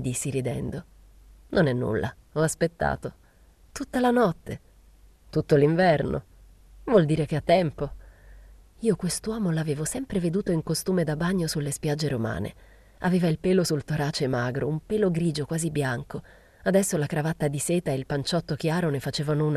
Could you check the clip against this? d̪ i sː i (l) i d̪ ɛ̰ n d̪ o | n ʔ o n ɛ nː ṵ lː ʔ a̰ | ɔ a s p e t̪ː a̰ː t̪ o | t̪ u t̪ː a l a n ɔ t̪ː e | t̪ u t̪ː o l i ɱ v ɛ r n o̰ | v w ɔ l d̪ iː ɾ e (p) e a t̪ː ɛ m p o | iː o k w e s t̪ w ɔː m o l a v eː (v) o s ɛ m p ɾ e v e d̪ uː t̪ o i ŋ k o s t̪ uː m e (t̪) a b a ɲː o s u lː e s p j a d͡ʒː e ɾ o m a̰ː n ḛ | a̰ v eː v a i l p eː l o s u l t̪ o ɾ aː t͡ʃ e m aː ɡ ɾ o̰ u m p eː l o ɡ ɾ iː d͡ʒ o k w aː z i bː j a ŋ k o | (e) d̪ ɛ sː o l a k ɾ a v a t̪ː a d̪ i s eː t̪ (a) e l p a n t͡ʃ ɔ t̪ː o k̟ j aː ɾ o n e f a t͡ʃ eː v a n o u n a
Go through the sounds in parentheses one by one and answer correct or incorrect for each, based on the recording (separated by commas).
incorrect, incorrect, correct, incorrect, incorrect, correct